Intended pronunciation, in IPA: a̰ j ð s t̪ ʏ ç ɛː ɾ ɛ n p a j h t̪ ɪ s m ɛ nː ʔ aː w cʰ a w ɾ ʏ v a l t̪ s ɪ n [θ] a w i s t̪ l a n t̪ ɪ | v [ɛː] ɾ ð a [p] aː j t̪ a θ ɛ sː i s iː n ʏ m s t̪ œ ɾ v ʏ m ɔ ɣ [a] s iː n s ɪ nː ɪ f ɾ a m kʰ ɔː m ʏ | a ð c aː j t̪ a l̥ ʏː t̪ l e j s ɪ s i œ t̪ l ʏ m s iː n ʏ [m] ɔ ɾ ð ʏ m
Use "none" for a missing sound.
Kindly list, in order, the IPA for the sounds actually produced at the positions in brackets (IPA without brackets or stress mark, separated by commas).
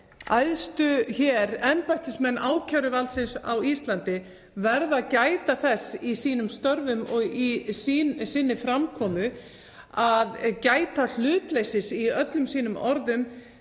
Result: s, ɛ, c, i, m